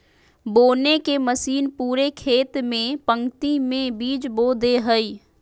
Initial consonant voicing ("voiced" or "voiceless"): voiced